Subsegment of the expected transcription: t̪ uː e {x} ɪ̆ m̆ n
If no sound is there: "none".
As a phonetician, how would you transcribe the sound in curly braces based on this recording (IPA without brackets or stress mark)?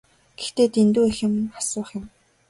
x